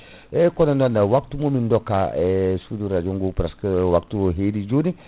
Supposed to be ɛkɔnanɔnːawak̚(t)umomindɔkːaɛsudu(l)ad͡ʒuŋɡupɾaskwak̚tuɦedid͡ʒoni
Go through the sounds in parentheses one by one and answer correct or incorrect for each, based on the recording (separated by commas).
correct, incorrect